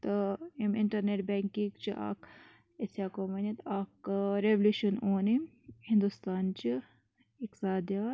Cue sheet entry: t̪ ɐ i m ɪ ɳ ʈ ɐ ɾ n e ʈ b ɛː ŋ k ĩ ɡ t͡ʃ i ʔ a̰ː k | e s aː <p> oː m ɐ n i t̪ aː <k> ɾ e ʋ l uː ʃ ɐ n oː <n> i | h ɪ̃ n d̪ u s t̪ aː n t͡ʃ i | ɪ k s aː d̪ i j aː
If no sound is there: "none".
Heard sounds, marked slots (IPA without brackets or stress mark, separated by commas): k, k, n